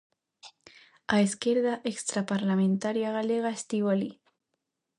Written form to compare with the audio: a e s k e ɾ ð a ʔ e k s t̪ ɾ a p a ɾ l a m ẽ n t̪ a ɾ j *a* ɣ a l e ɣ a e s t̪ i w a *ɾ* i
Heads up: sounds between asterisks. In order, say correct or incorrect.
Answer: correct, incorrect

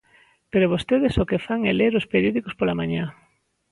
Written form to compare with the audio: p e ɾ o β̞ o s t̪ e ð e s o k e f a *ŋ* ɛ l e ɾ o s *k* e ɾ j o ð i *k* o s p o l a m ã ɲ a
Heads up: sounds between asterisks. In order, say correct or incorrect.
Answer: correct, incorrect, correct

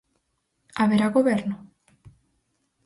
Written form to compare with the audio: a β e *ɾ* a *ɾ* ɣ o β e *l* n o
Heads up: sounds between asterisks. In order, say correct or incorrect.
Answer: correct, incorrect, incorrect

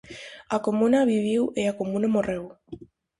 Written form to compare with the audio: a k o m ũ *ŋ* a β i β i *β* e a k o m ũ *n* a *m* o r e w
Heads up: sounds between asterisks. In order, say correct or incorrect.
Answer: incorrect, incorrect, correct, correct

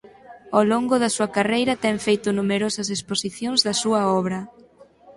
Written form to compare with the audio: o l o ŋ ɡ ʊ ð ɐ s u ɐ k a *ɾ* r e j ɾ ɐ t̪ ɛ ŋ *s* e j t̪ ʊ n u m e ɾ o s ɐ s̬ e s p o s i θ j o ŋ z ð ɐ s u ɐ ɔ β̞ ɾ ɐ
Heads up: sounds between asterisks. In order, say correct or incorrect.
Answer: incorrect, incorrect

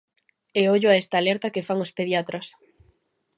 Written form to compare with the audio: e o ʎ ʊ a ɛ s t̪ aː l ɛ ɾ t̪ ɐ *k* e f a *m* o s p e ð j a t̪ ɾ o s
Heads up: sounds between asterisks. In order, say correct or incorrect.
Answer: correct, incorrect

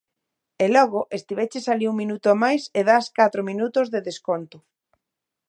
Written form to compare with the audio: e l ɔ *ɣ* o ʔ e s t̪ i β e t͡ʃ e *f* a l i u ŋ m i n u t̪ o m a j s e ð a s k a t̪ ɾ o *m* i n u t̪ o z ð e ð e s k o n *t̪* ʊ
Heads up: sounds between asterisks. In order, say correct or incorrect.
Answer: correct, incorrect, correct, correct

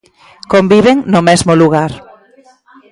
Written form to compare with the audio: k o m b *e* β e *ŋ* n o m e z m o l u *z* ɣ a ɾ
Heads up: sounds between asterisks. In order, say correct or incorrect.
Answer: incorrect, correct, incorrect

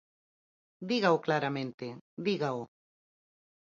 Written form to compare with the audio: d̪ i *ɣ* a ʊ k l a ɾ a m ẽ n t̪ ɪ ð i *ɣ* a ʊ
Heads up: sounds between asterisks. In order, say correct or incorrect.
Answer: correct, correct

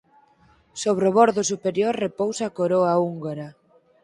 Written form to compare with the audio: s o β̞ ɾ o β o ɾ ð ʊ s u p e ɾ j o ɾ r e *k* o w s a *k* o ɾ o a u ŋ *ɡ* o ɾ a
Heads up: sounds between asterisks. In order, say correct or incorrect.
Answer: incorrect, correct, correct

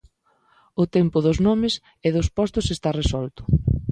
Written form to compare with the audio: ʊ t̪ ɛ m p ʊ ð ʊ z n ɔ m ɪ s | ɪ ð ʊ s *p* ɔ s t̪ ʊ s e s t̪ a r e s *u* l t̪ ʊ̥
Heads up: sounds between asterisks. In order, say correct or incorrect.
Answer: correct, incorrect

